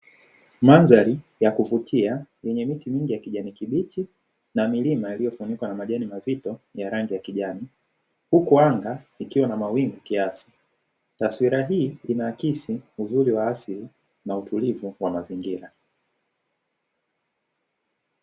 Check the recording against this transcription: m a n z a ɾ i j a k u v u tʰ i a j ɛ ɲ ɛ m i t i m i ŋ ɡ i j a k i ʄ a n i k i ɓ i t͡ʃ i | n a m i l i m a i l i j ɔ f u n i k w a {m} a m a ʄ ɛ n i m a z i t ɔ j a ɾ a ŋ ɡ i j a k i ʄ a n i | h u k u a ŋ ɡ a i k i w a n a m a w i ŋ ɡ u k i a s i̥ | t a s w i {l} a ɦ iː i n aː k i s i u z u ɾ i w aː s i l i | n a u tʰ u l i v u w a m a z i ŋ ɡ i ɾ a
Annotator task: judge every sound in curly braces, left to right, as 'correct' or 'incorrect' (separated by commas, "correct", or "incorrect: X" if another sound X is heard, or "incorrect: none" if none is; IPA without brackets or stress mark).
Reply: incorrect: n, incorrect: ɾ